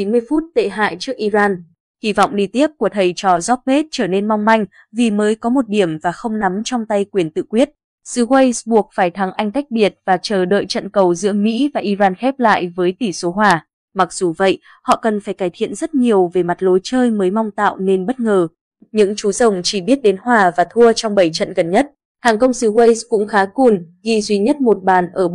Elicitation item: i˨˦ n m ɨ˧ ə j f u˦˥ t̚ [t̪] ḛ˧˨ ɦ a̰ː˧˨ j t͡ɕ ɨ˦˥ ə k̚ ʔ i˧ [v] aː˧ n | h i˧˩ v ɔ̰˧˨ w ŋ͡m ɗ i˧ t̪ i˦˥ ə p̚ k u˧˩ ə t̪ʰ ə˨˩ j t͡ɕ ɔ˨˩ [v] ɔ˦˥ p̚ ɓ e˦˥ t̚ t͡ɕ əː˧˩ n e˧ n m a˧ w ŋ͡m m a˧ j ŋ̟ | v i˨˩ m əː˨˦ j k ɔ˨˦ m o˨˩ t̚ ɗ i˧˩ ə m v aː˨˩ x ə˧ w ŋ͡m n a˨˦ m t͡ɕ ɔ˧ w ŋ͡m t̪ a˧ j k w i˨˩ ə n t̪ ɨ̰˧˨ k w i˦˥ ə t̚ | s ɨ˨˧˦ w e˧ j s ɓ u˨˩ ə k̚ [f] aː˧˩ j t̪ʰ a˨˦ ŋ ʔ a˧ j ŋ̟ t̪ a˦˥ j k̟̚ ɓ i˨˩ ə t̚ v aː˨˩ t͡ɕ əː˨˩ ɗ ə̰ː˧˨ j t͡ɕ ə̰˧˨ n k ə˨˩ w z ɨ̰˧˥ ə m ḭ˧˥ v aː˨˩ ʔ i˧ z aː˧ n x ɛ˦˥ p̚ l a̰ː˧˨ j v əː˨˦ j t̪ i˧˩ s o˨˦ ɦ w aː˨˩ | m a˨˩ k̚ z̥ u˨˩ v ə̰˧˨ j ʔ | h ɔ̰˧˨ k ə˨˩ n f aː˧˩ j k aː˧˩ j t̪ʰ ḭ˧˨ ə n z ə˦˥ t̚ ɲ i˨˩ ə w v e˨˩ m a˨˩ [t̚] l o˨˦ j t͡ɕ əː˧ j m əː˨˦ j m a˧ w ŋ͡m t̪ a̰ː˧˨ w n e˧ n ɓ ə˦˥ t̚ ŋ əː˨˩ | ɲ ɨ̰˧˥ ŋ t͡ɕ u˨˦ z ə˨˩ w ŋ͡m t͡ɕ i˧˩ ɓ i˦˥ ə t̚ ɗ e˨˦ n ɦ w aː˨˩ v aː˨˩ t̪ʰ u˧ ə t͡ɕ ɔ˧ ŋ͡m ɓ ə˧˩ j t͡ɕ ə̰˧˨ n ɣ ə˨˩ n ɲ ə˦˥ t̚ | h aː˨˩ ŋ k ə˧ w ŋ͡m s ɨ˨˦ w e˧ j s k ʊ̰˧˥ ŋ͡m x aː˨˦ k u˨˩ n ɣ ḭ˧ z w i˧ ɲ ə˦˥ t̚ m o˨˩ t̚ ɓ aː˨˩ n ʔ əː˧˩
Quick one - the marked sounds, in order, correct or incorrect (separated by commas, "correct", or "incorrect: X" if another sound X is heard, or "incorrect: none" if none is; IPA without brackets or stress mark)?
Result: correct, incorrect: z, incorrect: z, correct, correct